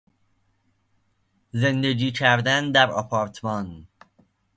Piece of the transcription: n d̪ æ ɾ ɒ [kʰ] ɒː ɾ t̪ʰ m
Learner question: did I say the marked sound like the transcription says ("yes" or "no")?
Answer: no